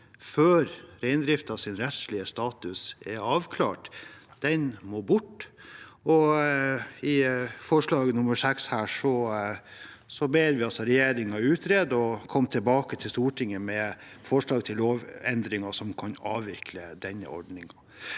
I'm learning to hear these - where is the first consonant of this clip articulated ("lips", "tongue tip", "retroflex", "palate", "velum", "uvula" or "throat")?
lips